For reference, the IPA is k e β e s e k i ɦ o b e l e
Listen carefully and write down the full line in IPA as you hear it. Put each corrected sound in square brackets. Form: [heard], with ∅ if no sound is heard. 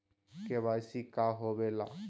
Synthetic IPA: k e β [a] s [i] k [a] ɦ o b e l [a]